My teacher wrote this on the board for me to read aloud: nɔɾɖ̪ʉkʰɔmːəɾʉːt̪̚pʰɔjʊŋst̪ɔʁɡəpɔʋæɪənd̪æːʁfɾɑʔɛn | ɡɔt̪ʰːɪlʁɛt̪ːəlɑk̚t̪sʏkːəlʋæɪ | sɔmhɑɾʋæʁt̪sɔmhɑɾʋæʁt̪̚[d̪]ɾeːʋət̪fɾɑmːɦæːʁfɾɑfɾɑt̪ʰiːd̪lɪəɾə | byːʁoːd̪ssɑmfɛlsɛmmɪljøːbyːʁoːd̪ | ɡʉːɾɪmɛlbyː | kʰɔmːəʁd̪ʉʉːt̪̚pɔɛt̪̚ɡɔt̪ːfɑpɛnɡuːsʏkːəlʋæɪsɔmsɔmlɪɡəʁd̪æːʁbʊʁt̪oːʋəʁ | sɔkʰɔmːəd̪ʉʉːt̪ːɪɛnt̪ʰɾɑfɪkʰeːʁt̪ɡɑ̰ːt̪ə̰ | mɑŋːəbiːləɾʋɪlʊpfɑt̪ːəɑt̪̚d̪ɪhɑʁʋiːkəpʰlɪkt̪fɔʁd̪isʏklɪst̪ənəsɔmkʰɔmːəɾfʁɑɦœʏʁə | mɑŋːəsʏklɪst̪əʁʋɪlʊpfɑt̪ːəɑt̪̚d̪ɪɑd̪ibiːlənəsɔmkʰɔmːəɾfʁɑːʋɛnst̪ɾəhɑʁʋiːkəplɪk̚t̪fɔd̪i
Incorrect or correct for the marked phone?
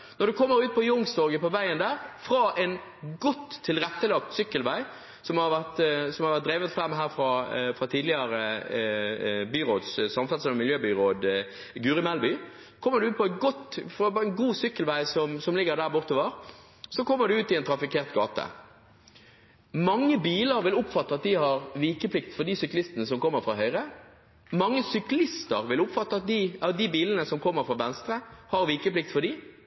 correct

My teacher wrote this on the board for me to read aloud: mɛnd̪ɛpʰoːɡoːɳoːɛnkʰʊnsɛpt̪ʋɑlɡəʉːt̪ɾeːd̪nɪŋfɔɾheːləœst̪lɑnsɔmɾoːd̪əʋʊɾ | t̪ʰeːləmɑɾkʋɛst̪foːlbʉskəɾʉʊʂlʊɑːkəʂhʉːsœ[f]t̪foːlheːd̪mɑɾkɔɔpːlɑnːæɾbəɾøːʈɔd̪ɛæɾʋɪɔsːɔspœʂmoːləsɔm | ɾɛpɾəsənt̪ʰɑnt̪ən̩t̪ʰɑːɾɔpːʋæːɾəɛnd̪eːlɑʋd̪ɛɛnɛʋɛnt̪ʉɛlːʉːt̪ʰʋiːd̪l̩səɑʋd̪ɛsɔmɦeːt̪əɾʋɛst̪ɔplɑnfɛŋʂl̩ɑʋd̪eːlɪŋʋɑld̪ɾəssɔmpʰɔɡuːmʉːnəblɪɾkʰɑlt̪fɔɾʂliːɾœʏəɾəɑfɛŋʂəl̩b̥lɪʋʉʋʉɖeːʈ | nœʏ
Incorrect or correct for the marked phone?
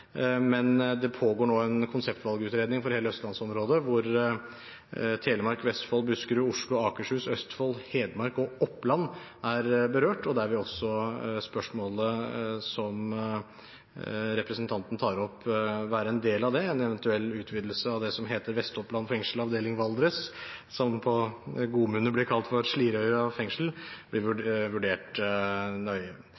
incorrect: s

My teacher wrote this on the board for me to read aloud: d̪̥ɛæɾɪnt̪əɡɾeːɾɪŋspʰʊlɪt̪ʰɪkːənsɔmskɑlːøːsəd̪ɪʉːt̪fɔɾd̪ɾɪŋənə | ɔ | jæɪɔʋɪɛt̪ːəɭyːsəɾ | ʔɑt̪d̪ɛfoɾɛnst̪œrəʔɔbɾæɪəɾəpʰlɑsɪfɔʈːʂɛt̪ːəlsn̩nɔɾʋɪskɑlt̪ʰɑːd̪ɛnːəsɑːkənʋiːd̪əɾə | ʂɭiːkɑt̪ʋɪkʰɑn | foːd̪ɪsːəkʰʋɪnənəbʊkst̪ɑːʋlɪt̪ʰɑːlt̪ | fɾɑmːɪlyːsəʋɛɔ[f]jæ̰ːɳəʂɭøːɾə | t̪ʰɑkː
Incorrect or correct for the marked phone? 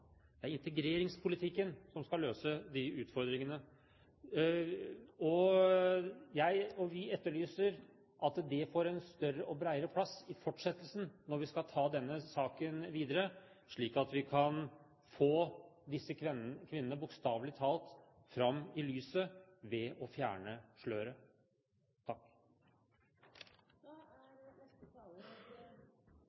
correct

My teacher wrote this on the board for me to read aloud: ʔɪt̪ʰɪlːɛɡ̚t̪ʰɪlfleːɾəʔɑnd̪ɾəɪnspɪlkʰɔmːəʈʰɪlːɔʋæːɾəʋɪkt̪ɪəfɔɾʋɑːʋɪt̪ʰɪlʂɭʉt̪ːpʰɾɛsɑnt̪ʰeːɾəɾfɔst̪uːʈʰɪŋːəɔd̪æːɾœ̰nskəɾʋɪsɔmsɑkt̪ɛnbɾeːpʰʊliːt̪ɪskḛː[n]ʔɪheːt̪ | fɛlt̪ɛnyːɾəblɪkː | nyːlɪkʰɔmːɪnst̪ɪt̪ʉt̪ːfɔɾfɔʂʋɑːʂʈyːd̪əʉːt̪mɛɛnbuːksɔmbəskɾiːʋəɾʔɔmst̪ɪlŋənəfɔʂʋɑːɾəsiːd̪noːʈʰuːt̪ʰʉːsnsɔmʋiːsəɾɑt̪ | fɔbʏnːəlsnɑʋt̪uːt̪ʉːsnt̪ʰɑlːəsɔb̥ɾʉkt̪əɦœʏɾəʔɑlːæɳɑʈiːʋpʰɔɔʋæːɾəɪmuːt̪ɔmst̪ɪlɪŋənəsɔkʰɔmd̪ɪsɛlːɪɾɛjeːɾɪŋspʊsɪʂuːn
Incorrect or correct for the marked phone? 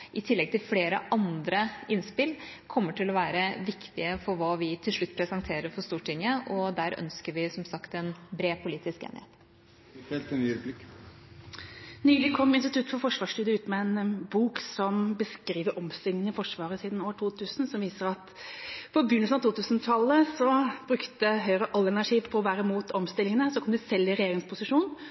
correct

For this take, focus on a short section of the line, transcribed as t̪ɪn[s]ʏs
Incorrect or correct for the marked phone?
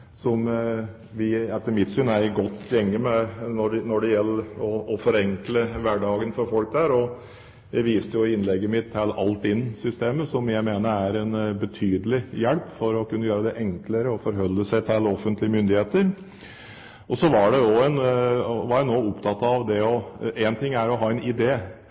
correct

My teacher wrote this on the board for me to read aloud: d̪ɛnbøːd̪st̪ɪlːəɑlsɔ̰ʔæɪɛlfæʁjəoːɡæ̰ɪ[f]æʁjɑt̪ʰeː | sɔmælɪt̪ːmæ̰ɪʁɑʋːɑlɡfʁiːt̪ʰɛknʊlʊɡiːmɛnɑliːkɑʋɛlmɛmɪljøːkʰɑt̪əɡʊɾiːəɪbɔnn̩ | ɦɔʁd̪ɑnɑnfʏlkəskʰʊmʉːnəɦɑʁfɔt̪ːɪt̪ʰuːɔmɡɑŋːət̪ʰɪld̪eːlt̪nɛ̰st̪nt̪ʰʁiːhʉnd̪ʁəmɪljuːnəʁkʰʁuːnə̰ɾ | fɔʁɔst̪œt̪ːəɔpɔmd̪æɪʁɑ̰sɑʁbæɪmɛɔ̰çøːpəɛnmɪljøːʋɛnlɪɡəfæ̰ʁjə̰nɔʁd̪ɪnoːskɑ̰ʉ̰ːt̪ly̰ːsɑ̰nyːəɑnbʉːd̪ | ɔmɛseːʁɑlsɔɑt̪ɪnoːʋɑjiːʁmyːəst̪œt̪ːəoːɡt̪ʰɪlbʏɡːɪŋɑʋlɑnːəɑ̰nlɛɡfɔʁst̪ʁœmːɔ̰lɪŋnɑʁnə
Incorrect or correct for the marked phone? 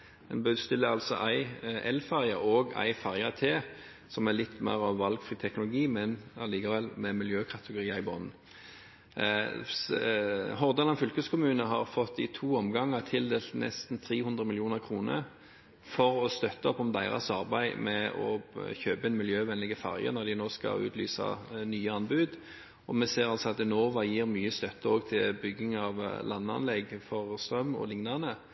correct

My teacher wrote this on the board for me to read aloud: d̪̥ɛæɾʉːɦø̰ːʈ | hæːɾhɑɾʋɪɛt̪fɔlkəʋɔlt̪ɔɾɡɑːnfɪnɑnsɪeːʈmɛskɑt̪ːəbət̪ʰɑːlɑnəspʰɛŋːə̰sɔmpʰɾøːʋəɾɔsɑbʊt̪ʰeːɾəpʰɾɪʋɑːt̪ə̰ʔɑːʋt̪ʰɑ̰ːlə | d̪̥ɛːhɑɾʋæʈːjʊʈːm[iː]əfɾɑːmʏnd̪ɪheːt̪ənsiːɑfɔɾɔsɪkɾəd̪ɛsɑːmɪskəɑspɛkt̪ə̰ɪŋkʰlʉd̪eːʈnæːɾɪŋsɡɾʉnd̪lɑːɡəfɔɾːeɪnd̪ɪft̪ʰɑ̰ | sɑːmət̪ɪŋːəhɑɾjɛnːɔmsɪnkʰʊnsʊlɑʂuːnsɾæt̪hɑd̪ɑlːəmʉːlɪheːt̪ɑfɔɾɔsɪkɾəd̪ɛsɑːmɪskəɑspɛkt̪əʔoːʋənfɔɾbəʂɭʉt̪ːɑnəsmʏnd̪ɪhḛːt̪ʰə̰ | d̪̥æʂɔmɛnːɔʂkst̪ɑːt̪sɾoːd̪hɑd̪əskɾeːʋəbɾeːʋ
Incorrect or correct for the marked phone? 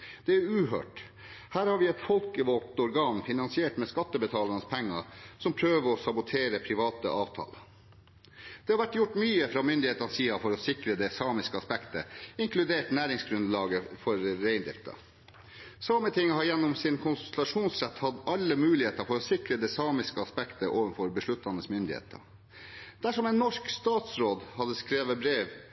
incorrect: yː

